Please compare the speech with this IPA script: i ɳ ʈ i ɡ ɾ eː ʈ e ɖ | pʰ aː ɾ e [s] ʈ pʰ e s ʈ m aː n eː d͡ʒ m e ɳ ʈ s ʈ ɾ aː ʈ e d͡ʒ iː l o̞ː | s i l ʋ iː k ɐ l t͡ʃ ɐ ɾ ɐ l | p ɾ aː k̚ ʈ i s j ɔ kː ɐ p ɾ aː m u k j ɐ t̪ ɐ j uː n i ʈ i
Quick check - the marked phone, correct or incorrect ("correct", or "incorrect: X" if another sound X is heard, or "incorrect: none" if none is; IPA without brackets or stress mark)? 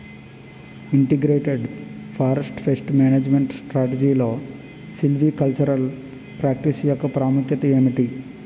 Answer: correct